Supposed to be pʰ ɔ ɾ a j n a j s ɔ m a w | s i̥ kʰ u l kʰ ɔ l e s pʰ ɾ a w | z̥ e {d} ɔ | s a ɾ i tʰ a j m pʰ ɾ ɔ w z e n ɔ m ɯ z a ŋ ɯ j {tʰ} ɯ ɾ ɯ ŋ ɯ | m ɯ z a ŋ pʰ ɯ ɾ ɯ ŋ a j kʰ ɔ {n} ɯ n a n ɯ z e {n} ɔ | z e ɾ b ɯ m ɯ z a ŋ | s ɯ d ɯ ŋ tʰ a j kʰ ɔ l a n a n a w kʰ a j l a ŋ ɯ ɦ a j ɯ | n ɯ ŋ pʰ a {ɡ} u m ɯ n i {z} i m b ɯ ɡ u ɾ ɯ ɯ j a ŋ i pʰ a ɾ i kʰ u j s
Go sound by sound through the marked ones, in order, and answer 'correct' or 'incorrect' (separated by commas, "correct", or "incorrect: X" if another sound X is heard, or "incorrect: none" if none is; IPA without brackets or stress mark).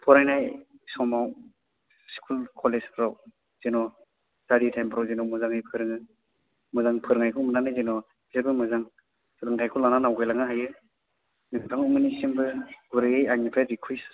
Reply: incorrect: n, incorrect: pʰ, incorrect: m, correct, incorrect: ŋ, incorrect: s